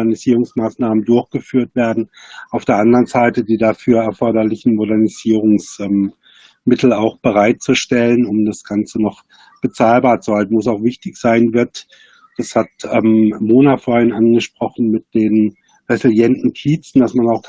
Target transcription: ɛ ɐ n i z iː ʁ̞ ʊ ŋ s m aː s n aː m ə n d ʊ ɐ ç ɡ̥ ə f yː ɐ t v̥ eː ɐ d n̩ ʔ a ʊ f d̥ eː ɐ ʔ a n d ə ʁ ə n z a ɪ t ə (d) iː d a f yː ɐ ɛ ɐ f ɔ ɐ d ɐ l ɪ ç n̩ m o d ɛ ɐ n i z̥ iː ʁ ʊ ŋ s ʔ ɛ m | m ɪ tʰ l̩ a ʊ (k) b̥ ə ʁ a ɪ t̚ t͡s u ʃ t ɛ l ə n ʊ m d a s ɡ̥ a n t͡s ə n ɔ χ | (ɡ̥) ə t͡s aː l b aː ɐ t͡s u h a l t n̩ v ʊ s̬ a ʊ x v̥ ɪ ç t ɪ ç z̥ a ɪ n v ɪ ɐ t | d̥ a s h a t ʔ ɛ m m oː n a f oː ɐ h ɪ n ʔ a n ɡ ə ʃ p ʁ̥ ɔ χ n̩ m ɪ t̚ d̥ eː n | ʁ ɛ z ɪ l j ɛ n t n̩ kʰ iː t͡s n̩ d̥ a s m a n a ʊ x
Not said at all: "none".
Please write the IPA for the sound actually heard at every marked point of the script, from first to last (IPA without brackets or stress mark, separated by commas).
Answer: d, x, b̥